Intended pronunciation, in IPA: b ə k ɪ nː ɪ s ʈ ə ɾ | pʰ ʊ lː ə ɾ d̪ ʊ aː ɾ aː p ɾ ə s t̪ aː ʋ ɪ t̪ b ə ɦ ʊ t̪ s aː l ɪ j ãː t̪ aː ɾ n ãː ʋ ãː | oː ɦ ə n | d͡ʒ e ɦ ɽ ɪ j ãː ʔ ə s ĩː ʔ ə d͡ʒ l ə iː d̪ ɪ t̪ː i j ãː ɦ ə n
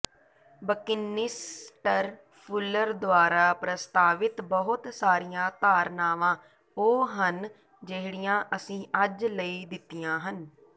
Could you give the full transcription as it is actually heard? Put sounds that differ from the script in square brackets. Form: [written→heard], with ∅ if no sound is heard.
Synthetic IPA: b ə k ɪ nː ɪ s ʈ ə ɾ | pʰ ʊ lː ə ɾ d̪ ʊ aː ɾ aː p ɾ ə s t̪ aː ʋ ɪ t̪ b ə ɦ ʊ t̪ s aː [l→ɾ] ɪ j ãː t̪ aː ɾ n [ãː→aː] ʋ ãː | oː ɦ ə n | d͡ʒ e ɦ ɽ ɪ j ãː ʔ ə s ĩː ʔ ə d͡ʒ l ə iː d̪ ɪ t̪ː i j ãː ɦ ə n